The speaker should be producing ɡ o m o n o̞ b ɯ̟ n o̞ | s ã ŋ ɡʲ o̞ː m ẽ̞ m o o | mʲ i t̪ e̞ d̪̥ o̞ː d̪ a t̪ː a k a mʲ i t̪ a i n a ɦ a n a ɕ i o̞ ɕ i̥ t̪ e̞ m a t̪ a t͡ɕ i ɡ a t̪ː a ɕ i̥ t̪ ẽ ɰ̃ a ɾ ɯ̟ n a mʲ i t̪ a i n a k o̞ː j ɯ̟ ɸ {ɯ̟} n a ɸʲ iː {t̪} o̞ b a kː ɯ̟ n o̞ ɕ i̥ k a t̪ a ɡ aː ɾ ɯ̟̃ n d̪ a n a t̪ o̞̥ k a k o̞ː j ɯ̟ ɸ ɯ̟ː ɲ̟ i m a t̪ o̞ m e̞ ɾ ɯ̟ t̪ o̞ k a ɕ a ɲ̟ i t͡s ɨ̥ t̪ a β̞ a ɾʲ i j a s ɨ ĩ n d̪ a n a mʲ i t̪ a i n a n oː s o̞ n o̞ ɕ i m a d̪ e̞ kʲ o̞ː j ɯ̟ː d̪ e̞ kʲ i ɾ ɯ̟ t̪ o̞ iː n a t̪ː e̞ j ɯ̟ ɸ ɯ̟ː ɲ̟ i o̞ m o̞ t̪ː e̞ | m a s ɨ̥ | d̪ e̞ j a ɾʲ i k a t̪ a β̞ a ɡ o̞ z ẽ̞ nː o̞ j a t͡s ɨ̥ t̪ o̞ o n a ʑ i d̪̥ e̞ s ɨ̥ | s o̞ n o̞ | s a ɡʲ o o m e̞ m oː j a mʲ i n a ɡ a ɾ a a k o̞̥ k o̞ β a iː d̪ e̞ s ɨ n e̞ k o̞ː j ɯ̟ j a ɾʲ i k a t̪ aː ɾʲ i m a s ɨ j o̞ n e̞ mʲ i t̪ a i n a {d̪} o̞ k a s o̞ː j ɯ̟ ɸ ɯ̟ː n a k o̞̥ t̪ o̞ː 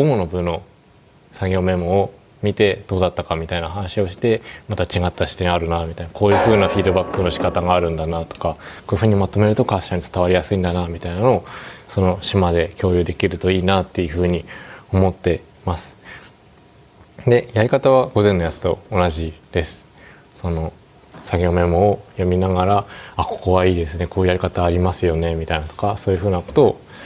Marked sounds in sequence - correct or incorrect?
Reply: incorrect, incorrect, incorrect

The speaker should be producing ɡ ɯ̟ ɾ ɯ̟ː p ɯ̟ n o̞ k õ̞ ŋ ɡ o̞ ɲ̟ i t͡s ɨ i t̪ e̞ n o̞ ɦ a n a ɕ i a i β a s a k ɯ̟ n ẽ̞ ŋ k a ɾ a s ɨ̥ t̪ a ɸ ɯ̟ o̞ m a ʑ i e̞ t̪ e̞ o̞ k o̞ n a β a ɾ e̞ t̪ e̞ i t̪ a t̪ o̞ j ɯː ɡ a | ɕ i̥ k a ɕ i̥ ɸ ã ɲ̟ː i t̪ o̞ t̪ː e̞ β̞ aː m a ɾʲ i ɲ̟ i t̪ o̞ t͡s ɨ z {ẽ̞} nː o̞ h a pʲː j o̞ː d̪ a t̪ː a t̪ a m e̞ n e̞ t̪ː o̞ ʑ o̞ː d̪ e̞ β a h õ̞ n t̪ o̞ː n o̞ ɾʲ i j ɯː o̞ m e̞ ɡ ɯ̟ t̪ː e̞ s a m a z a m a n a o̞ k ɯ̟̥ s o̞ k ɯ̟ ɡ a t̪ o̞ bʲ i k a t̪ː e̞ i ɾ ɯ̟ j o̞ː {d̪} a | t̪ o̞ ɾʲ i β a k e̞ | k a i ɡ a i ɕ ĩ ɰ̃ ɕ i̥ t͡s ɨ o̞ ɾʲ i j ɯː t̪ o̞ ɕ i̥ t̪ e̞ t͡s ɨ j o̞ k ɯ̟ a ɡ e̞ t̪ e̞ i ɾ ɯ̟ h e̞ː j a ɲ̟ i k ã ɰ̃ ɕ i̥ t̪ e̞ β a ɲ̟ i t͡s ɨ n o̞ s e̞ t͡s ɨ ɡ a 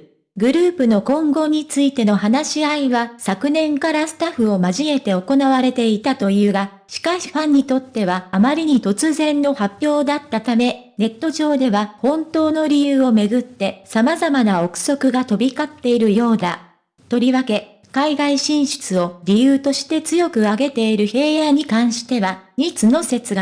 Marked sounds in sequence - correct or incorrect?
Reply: correct, correct

